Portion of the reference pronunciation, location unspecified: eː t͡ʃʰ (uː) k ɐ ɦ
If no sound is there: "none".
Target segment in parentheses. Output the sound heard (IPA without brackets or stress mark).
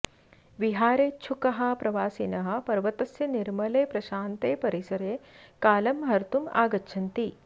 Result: u